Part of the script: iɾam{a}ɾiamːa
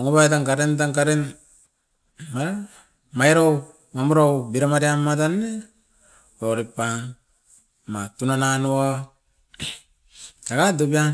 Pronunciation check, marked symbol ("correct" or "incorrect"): correct